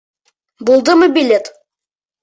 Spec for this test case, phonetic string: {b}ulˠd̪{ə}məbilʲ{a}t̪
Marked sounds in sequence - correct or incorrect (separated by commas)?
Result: correct, correct, incorrect